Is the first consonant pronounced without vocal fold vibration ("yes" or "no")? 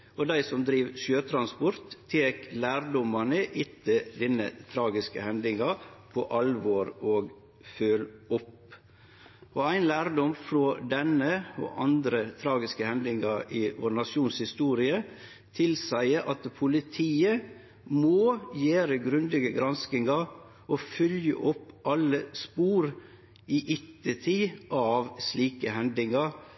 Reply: no